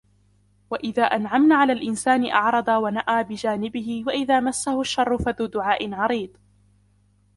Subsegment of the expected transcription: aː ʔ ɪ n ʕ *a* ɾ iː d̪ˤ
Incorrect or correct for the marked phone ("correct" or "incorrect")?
incorrect